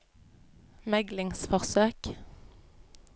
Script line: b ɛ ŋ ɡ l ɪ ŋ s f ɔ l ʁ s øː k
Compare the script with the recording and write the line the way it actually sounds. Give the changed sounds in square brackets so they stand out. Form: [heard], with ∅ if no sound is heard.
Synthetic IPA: [m] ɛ [∅] ɡ l ɪ ŋ s f ɔ [∅] ʁ s øː k

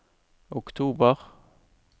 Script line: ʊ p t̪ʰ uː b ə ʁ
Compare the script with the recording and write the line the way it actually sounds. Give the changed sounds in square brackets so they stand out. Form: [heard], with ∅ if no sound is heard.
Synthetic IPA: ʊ [k] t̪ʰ uː b ə ʁ

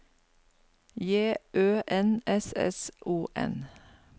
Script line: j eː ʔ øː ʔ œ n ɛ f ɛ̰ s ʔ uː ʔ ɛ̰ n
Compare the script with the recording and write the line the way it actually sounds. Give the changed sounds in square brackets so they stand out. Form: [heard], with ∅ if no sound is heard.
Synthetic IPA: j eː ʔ øː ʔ [ɛ] n ɛ [s] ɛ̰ s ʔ uː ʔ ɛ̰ n

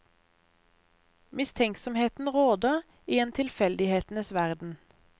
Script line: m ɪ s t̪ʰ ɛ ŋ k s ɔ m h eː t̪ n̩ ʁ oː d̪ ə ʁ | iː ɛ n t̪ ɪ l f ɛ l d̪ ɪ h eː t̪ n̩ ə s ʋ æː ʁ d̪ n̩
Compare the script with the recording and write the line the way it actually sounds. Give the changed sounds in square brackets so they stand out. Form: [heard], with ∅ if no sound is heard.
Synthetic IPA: m ɪ s t̪ʰ ɛ ŋ k s ɔ m h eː t̪ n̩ ʁ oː d̪ ə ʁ | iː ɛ n [t̪ʰ] ɪ l f ɛ l d̪ ɪ h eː t̪ n̩ ə s ʋ [æ] ʁ d̪ n̩

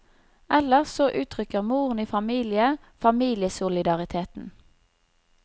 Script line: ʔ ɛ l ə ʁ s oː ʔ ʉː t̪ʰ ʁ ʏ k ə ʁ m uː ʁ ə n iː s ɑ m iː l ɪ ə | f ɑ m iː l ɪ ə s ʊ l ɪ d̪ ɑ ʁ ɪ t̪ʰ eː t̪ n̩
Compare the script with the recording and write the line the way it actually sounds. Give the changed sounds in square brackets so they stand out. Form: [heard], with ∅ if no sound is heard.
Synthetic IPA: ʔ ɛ l ə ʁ s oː ʔ ʉː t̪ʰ ʁ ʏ k ə ʁ m uː ʁ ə n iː [f] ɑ m iː l ɪ ə | f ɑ m iː l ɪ ə s ʊ l ɪ d̪ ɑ ʁ ɪ t̪ʰ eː t̪ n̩

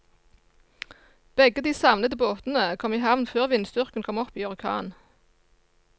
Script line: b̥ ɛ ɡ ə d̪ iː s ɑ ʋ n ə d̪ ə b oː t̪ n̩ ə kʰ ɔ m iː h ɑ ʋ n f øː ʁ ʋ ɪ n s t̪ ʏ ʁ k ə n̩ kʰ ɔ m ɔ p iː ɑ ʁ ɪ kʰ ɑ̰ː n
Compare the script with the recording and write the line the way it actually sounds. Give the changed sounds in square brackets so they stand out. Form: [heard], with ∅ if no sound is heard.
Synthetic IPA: b̥ ɛ ɡ ə d̪ iː s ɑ ʋ n ə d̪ ə b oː t̪ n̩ ə kʰ ɔ m iː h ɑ ʋ n f øː ʁ ʋ ɪ n s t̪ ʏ ʁ k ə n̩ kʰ ɔ m ɔ p iː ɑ ʁ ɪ kʰ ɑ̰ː n

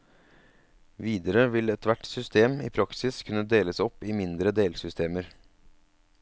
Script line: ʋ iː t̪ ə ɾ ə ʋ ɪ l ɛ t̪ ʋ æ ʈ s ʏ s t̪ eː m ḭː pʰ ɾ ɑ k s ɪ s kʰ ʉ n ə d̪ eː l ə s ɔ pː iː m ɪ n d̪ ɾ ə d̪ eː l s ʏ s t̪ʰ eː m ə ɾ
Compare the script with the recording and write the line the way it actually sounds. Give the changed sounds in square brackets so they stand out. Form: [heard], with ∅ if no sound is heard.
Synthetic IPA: ʋ iː [d̪] ə ɾ ə ʋ ɪ l ɛ t̪ ʋ æ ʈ s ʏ s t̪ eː m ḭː pʰ ɾ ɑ k s ɪ s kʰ ʉ n ə d̪ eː l ə s ɔ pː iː m ɪ n d̪ ɾ ə d̪ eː l s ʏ s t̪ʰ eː m ə ɾ

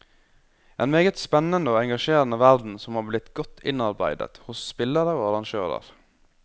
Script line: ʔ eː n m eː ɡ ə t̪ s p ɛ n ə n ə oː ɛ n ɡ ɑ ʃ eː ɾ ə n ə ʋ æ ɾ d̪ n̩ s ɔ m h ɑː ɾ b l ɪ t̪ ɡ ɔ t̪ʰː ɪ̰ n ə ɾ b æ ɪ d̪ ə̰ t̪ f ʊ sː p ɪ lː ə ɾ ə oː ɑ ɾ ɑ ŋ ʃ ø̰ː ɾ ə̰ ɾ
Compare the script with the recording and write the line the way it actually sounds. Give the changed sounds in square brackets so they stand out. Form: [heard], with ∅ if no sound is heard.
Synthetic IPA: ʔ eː n m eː ɡ ə t̪ s p ɛ n ə n ə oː ɛ [ŋ] ɡ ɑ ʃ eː ɾ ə n ə ʋ æ ɾ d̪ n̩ s ɔ m h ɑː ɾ b l ɪ t̪ ɡ ɔ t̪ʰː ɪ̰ n [ɑ] ɾ b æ ɪ d̪ ə̰ t̪ [h] ʊ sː p ɪ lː ə ɾ ə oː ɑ ɾ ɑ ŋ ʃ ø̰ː ɾ ə̰ ɾ

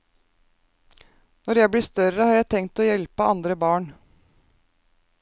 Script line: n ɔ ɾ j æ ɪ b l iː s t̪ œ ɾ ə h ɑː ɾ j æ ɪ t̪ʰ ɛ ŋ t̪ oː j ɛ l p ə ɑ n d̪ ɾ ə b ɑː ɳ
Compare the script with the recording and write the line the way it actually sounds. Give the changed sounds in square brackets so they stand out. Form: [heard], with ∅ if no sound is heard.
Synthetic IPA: n ɔ ɾ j æ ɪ b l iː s t̪ œ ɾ ə h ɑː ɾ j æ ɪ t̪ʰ ɛ ŋ t̪ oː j ɛ l p ə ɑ n d̪ ɾ ə b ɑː ɳ

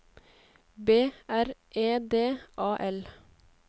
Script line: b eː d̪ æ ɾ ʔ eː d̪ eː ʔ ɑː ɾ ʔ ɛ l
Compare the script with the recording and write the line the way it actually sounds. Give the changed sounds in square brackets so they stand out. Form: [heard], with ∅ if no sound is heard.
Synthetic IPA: b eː [∅] æ ɾ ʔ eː d̪ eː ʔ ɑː [∅] ʔ ɛ l

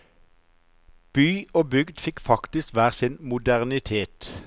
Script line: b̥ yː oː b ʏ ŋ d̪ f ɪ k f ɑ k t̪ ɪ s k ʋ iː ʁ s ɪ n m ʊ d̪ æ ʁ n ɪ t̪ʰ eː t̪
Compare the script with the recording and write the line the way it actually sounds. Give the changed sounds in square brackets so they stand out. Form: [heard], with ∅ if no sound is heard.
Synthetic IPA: b̥ yː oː b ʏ [ɡ] d̪ f ɪ k f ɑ k t̪ ɪ s k ʋ [æː] ʁ s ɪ n m ʊ d̪ æ ʁ n ɪ t̪ʰ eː t̪

